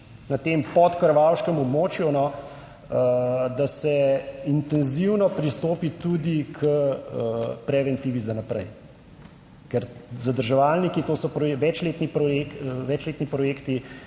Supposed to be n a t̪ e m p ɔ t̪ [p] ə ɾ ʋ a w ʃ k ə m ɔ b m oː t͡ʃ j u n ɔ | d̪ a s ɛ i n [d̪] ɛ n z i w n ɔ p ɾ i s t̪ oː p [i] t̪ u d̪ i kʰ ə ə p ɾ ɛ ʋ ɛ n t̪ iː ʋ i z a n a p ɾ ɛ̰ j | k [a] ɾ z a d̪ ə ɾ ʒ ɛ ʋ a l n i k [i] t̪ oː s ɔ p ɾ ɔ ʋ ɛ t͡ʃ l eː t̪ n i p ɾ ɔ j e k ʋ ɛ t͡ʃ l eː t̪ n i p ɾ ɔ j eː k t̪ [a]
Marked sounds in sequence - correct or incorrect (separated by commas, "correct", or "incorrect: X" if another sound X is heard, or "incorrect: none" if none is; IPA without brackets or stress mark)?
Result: incorrect: k, incorrect: t̪, correct, incorrect: ɛ, correct, incorrect: i